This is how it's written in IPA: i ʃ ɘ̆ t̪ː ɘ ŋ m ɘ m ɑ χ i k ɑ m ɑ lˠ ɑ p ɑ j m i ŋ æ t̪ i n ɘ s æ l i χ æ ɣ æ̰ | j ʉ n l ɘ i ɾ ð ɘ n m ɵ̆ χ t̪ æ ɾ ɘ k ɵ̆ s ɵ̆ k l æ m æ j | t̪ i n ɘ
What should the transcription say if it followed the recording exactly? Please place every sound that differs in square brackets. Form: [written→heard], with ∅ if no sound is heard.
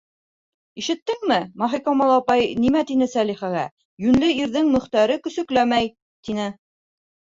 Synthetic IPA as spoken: i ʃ ɘ̆ t̪ː ɘ ŋ m ɘ m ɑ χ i k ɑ m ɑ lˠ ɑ p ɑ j [m→n] i [ŋ→m] æ t̪ i n ɘ s æ l i χ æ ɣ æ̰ | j ʉ n l ɘ i ɾ ð ɘ [n→ŋ] m ɵ̆ χ t̪ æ ɾ ɘ k ɵ̆ s ɵ̆ k l æ m æ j | t̪ i n ɘ